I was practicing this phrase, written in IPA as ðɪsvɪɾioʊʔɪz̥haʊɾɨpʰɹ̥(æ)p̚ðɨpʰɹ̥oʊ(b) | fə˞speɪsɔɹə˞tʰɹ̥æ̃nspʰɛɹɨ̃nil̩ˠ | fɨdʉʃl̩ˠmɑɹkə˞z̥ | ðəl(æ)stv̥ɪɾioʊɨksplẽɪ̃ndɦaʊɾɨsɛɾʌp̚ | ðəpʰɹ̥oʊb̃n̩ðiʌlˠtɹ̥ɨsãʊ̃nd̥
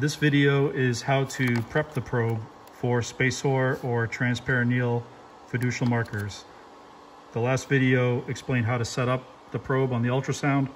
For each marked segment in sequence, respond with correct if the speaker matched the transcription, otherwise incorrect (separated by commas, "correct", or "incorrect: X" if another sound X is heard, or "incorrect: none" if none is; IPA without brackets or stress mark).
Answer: incorrect: ɛ, correct, correct